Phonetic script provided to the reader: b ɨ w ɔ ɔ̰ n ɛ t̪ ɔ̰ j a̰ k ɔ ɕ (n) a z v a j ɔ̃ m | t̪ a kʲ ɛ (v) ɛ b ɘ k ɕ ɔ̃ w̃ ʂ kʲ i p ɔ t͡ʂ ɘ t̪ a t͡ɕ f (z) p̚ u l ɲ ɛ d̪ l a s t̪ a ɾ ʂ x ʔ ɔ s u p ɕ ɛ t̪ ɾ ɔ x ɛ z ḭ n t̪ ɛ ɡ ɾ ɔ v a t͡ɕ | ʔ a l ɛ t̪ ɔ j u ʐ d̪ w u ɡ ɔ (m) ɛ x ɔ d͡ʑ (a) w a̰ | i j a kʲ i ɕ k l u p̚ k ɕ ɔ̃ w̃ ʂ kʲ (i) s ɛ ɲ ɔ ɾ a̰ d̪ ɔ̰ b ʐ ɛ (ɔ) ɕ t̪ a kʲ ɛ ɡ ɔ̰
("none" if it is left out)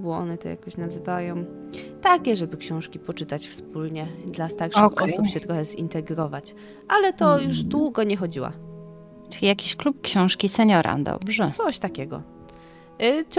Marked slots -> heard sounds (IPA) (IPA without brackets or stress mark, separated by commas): n, ʐ, s, ɲ, i, i, ɔ